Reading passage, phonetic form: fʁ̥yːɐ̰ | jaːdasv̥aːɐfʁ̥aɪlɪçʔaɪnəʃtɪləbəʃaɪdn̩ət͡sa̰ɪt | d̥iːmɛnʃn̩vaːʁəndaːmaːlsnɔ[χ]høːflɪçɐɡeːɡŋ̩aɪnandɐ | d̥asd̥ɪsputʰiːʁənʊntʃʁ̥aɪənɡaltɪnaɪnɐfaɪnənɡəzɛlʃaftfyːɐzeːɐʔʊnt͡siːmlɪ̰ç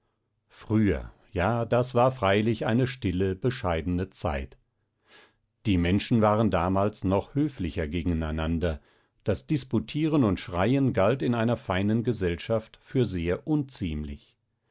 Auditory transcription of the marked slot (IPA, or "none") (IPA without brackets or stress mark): χ